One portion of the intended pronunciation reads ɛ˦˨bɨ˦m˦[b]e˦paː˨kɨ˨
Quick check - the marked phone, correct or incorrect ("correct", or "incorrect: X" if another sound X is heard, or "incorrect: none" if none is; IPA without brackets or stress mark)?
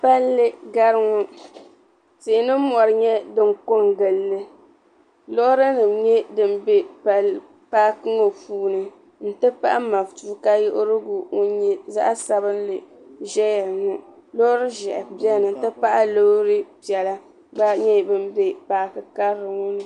correct